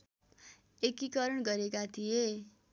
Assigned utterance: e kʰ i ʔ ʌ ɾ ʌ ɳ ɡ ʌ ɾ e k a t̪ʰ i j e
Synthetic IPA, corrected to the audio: e k i k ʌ ɾ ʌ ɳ ɡ ʌ ɾ e k a t̪ʰ i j e

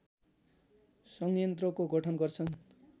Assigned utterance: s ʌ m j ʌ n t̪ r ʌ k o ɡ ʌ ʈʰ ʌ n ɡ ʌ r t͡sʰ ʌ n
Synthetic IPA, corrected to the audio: s ʌ ŋ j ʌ n t̪ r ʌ k o ɡ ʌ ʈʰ ʌ n ɡ ʌ r t͡sʰ ʌ n

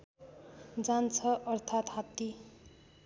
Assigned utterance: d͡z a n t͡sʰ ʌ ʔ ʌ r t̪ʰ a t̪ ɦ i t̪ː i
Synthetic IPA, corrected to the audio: d͡z a n t͡sʰ ʌ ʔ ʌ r t̪ʰ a t̪ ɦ a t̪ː i

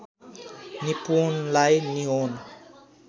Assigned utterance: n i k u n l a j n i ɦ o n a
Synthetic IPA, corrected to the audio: n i p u n l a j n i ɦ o n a

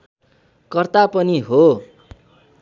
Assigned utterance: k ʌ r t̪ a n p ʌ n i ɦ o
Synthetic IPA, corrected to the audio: k ʌ r t̪ a p ʌ n i ɦ o

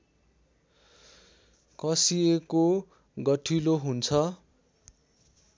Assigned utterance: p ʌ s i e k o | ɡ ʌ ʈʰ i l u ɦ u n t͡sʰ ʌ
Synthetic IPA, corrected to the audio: k ʌ s i e k o | ɡ ʌ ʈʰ i l o ɦ u n t͡sʰ ʌ

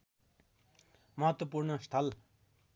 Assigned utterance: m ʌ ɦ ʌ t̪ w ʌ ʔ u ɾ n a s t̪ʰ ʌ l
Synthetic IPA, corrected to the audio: m ʌ ɦ ʌ t̪ w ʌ p u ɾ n ʌ s t̪ʰ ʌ l

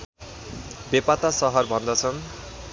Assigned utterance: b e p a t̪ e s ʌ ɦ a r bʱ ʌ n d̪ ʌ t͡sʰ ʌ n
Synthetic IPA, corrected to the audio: b e p a t̪ a s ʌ ɦ ʌ r bʱ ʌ n d̪ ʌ t͡sʰ ʌ n

